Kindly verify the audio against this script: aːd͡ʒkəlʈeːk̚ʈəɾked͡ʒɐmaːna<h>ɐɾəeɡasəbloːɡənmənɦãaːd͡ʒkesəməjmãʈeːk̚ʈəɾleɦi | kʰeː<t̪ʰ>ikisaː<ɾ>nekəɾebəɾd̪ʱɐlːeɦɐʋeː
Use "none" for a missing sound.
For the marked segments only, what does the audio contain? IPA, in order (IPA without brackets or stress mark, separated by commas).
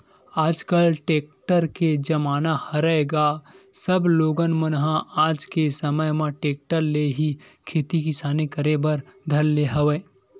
h, t̪, none